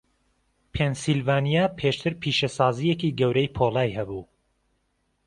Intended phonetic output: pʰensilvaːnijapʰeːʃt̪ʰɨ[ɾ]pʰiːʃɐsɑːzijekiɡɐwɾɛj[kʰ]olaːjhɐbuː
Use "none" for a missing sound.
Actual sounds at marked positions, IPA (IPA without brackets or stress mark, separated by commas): ɾ, pʰ